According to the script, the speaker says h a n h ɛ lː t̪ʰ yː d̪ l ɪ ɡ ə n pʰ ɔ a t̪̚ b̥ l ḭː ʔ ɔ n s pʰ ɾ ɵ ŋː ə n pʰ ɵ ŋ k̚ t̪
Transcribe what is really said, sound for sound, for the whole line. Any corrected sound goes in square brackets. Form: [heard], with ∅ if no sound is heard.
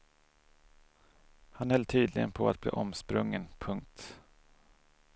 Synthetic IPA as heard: h a n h ɛ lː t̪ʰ yː d̪ l ɪ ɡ ə n pʰ ɔ a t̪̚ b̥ l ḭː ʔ ɔ [m] s [p] ɾ ɵ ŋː ə n pʰ ɵ ŋ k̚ t̪

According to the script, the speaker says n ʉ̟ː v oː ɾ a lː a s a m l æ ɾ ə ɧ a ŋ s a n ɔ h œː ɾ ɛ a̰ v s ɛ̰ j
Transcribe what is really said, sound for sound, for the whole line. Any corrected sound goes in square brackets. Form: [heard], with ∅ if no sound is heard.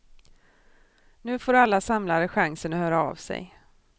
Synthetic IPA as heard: n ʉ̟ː [f] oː ɾ a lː a s a m l [a] ɾ ə ɧ a ŋ s [ə] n ɔ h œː ɾ [a] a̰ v s ɛ̰ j

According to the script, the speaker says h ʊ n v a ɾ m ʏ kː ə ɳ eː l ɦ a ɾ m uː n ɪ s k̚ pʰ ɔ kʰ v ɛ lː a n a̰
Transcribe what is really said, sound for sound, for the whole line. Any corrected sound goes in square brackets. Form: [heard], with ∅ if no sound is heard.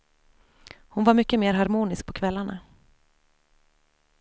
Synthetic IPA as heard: h ʊ n v a ɾ m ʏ kː ə [m] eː [ɾ] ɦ a ɾ m uː n ɪ s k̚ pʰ ɔ kʰ v ɛ lː a [ɳ] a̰

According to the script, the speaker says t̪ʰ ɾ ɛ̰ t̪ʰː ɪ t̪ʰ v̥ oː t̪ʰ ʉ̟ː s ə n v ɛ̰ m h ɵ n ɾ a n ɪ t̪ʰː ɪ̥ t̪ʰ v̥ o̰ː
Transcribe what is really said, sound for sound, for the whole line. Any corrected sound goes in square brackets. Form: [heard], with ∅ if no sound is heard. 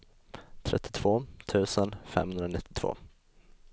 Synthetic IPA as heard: t̪ʰ ɾ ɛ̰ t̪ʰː ɪ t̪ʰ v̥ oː t̪ʰ ʉ̟ː s ə n [f] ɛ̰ m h ɵ n ɾ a n ɪ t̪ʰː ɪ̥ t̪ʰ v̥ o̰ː

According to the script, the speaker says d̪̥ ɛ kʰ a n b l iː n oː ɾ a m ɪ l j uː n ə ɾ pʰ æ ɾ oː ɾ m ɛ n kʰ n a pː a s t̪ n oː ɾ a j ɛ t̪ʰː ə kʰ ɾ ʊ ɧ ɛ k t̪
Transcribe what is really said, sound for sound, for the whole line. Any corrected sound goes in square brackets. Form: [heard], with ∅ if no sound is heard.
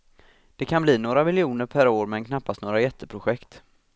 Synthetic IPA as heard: d̪̥ ɛ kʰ a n b l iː n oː ɾ a m ɪ l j uː n ə ɾ pʰ æ ɾ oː ɾ m ɛ n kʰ n a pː a s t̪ n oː ɾ a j ɛ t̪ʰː ə [pʰ] ɾ ʊ ɧ ɛ k t̪

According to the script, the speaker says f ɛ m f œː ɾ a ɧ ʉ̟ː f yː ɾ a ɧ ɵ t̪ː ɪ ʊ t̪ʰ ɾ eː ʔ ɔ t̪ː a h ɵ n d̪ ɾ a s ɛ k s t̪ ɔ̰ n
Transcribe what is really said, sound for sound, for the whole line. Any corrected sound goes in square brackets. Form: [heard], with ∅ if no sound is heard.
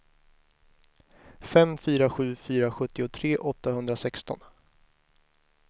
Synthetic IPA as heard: f ɛ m f [yː] ɾ a ɧ ʉ̟ː f yː ɾ a ɧ ɵ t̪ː ɪ ʊ t̪ʰ ɾ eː ʔ ɔ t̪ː a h ɵ n d̪ ɾ a s ɛ k s t̪ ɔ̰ n

